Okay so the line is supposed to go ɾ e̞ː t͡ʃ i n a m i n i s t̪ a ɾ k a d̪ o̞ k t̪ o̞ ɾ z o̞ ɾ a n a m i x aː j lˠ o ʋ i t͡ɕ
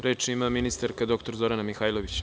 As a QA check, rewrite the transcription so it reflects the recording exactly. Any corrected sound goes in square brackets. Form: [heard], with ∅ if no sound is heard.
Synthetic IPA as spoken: ɾ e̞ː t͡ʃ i [m] a m i n i s t̪ a ɾ k a d̪ o̞ k t̪ o̞ ɾ z o̞ ɾ a n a m i x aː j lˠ o ʋ i t͡ɕ